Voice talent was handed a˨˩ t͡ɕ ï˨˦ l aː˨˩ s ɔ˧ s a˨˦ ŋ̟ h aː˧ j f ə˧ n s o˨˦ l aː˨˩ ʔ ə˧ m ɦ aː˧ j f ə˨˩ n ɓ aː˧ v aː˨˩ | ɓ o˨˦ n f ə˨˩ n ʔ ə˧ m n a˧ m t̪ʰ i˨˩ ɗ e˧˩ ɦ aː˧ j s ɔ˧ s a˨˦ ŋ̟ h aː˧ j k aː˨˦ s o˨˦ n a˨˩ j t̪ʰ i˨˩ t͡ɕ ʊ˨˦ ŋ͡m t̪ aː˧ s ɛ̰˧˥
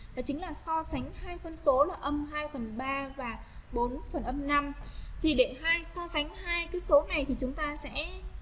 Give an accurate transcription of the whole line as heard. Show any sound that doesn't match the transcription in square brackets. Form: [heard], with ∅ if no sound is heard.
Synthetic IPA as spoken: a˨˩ t͡ɕ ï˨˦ l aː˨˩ s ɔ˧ s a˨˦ ŋ̟ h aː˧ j f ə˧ n s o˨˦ l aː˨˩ ʔ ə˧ m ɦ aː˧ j f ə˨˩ n ɓ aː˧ v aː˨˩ | ɓ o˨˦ n f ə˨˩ n ʔ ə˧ m n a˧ m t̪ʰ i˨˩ ɗ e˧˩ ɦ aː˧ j s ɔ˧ s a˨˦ ŋ̟ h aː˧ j k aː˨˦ s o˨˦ n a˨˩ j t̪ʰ i˨˩ t͡ɕ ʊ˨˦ ŋ͡m t̪ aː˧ s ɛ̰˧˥